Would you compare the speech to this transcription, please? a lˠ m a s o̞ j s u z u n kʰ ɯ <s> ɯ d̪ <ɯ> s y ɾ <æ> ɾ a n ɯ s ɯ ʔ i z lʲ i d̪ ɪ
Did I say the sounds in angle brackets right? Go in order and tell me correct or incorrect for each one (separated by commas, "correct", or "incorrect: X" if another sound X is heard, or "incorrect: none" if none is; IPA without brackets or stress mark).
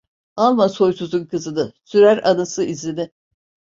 incorrect: z, correct, correct